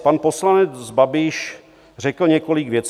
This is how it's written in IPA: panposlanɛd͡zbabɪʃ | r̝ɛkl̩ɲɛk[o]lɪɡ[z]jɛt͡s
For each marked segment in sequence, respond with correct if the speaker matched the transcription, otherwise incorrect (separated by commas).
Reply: correct, incorrect